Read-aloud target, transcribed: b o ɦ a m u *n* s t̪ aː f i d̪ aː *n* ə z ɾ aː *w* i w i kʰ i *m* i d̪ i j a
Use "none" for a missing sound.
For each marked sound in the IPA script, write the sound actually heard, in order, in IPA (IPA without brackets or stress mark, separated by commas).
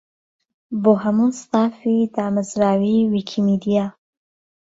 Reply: n, m, w, m